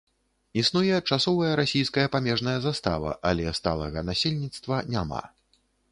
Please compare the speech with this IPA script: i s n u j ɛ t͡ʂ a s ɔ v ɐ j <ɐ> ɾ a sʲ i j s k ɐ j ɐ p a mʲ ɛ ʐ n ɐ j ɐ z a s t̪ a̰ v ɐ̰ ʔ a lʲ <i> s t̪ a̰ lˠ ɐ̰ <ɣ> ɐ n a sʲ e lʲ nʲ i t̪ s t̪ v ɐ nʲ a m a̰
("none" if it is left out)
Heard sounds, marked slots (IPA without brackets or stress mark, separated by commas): ɐ, ɛ, ɣ